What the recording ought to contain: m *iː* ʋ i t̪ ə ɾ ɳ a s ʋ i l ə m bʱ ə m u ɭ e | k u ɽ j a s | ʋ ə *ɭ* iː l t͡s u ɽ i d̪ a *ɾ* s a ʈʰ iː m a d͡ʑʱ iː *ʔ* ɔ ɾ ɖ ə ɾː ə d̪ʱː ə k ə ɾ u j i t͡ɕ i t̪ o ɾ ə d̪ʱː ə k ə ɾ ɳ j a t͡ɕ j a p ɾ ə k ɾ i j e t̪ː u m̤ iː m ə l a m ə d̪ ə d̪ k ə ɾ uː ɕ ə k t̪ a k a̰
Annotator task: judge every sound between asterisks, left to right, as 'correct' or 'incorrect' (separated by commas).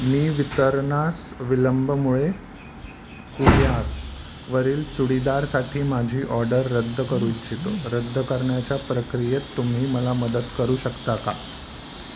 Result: correct, incorrect, correct, correct